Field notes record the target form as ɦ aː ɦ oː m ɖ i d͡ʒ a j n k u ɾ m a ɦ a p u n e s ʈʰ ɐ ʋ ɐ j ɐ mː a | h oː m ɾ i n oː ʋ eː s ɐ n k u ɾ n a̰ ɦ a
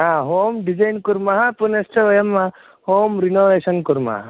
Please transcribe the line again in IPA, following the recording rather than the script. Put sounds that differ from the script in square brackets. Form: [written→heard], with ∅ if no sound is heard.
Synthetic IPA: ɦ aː ɦ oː m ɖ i d͡ʒ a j n k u ɾ m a ɦ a p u n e s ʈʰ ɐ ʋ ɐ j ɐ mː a | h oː m ɾ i n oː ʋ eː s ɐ n k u ɾ [n→m] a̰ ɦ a